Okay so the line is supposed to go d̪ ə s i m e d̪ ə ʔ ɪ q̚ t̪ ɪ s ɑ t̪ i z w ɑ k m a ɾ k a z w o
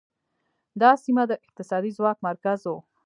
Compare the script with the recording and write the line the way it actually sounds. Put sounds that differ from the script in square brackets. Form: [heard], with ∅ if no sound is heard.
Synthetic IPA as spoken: d̪ [ɑ] s i m [a] d̪ ə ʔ ɪ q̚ t̪ ɪ s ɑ [d̪] i z w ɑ k m a ɾ k a z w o

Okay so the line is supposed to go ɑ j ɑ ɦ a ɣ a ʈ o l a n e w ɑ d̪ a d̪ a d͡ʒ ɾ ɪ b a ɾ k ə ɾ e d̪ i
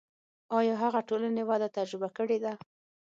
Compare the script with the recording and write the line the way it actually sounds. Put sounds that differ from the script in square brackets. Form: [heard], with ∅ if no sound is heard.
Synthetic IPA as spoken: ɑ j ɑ ɦ a ɣ a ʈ o l a n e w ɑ d̪ a [t̪] a d͡ʒ ɾ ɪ b a [∅] k ə [ɽ] e d̪ [a]

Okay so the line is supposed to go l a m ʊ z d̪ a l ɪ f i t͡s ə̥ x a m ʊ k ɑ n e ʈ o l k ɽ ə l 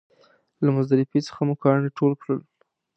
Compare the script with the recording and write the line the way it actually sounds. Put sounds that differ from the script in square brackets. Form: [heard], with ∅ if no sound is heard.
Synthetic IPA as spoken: l a m ʊ z d̪ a [ɾ] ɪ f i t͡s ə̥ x a m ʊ k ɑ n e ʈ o l k ɽ ə l

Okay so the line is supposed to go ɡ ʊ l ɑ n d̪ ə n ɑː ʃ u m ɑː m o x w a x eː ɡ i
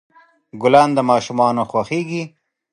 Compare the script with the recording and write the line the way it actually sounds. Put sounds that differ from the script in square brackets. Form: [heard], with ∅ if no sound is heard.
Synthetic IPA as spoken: ɡ ʊ l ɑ n d̪ ə [m] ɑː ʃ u m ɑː [n] o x w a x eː ɡ i

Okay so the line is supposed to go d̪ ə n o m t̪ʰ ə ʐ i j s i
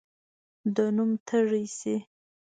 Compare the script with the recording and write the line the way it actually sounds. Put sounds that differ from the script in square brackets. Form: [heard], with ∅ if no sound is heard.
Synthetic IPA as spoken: d̪ ə n [u] m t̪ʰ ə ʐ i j s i

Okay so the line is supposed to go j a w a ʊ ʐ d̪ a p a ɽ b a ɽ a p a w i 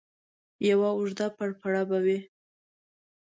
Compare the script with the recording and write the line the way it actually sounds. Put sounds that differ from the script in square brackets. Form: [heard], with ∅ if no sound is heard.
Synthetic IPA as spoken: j a w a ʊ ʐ d̪ a p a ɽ [p] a ɽ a [b] a w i

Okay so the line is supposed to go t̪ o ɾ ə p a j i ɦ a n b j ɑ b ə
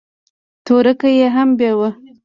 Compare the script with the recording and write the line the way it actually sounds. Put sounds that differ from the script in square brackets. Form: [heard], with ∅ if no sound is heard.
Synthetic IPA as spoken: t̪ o ɾ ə [k] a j [e] ɦ a [m] b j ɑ [w] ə

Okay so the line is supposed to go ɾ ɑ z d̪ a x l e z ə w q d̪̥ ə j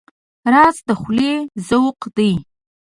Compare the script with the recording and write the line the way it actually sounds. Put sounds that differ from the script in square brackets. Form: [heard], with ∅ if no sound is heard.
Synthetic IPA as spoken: ɾ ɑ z d̪ [ə] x l e z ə w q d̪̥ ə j

